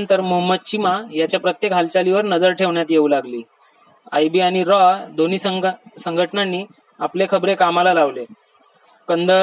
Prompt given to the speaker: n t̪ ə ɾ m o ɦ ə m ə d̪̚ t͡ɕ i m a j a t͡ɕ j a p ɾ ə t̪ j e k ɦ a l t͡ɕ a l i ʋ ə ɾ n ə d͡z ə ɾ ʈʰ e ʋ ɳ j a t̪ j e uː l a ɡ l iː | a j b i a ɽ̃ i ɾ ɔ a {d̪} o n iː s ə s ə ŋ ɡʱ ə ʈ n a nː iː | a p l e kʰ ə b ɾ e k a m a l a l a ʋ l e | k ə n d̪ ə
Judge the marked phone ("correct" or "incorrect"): correct